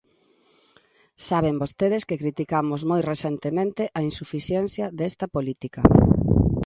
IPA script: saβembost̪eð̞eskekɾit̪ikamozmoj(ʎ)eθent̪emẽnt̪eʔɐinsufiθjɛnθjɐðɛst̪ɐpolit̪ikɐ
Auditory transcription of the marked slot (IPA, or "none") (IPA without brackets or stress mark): r